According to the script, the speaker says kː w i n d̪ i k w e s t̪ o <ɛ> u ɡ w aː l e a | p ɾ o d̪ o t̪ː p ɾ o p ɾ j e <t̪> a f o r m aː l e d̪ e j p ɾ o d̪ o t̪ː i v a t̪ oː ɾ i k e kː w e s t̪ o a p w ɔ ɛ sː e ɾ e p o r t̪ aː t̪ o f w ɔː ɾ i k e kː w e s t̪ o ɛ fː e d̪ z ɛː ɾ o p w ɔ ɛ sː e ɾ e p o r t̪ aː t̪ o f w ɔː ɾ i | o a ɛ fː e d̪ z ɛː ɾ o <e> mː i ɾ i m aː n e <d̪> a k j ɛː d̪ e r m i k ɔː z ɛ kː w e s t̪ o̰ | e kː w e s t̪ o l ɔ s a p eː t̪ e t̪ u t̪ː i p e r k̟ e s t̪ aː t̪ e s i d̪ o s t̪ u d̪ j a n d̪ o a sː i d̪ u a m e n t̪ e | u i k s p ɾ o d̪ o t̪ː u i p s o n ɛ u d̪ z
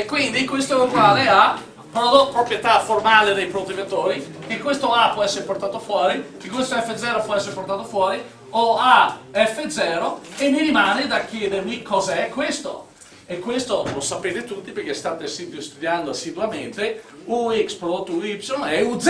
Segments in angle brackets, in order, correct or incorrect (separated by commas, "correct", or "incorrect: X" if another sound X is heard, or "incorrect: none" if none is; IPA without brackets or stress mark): correct, correct, correct, correct